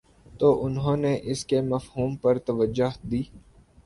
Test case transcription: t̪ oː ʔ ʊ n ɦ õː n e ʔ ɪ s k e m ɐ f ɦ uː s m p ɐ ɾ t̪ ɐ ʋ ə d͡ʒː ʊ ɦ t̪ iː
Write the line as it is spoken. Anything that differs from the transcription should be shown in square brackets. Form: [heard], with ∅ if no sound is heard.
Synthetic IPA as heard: t̪ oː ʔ ʊ n ɦ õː n e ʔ ɪ s k e m ɐ f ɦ uː [∅] m p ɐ ɾ t̪ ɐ ʋ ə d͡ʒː ʊ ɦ [d̪] iː